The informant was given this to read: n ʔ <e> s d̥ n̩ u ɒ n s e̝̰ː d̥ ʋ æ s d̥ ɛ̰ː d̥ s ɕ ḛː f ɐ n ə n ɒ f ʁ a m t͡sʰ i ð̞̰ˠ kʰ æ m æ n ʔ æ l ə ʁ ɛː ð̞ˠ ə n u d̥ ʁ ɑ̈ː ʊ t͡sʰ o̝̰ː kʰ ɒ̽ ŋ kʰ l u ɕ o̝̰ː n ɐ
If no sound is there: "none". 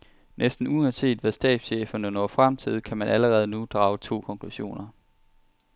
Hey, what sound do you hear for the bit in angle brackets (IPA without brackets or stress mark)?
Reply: e